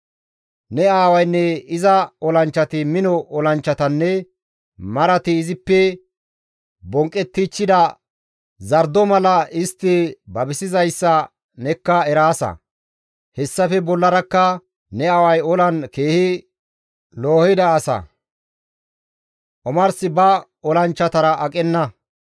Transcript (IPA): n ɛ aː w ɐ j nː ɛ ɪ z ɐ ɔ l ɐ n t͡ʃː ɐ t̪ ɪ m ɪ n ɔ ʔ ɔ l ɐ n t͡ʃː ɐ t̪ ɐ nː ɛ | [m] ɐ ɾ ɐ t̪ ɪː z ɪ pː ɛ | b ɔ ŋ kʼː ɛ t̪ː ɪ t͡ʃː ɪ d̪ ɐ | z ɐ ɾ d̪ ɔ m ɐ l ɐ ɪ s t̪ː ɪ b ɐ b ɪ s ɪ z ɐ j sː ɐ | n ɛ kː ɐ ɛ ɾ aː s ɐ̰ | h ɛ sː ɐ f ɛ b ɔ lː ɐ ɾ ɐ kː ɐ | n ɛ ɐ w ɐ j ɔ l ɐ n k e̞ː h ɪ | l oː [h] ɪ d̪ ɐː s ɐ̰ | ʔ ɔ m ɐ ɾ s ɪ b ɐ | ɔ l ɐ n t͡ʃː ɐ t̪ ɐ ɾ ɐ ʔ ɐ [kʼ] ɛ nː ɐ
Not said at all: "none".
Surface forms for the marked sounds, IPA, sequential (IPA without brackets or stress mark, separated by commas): m, h, kʼ